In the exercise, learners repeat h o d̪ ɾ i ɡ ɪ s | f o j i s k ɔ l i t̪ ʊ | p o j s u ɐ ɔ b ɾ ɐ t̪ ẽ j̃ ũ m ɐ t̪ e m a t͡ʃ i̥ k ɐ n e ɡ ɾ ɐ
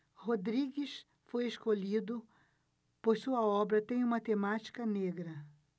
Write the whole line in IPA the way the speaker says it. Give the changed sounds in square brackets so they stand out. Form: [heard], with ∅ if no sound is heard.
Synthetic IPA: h o d̪ ɾ i ɡ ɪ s | f o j [e] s k [o] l i [d̪] ʊ | p o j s u ɐ ɔ b ɾ ɐ t̪ ẽ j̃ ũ m ɐ t̪ e m a t͡ʃ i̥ k ɐ n e ɡ ɾ ɐ